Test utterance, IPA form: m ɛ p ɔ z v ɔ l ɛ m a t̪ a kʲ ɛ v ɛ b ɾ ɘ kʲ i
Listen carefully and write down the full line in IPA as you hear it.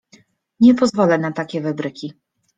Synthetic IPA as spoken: ɲ ɛ p ɔ z v ɔ l ɛ n a t̪ a kʲ ɛ v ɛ b ɾ ɘ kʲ i